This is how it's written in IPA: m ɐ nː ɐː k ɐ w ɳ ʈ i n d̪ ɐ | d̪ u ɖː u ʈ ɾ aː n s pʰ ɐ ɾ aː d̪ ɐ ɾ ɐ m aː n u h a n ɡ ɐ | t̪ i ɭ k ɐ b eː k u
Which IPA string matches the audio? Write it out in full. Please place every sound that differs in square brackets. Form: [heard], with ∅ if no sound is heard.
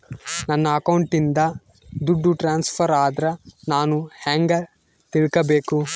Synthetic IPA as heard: [n] ɐ nː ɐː k ɐ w ɳ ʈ i n d̪ ɐ | d̪ u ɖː u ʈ ɾ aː n s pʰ ɐ ɾ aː d̪ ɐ ɾ ɐ [n] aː n u h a [ŋ] ɡ ɐ | t̪ i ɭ k ɐ b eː k u